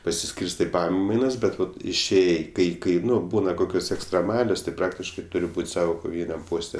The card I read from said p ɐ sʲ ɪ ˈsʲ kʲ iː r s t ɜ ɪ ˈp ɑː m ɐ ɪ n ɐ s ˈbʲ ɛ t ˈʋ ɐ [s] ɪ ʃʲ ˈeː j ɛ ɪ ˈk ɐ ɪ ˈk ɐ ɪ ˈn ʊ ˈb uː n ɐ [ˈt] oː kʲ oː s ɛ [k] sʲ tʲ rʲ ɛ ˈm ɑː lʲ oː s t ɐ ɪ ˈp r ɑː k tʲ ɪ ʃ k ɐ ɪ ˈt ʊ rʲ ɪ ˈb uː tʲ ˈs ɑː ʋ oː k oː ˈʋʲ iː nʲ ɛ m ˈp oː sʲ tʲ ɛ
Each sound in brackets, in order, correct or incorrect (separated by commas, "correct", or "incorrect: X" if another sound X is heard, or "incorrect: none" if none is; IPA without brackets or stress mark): incorrect: t, incorrect: k, correct